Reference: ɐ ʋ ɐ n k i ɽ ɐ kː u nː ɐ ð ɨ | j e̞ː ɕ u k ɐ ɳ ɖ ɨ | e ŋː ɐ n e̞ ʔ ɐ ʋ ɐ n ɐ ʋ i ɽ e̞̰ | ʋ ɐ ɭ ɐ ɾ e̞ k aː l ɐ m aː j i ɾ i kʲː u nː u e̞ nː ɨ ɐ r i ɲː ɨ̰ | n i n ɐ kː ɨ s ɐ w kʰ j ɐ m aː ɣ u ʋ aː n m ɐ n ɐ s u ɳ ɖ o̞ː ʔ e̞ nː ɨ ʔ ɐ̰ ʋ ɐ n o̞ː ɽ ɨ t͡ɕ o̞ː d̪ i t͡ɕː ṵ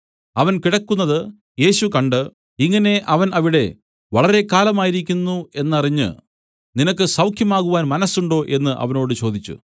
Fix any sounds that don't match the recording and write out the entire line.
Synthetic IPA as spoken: ɐ ʋ ɐ n k i ɽ ɐ kː u nː ɐ ð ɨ | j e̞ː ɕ u k ɐ ɳ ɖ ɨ | i ŋː ɐ n e̞ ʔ ɐ ʋ ɐ n ɐ ʋ i ɽ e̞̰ | ʋ ɐ ɭ ɐ ɾ e̞ k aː l ɐ m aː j i ɾ i kʲː u nː u e̞ nː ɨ ɐ r i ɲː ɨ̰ | n i n ɐ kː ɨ s ɐ w kʰ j ɐ m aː ɣ u ʋ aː n m ɐ n ɐ s u ɳ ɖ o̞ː ʔ e̞ nː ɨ ʔ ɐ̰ ʋ ɐ n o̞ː ɽ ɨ t͡ɕ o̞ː d̪ i t͡ɕː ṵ